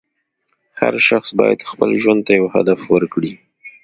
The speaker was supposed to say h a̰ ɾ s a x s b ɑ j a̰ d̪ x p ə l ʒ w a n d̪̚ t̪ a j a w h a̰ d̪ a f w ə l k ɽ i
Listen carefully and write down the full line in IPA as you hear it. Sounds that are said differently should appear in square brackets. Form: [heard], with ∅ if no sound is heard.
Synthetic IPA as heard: h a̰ ɾ [ʃ] a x s b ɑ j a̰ d̪ x p ə l ʒ w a n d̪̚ t̪ a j a w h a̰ d̪ a f w ə [ɾ] k ɽ i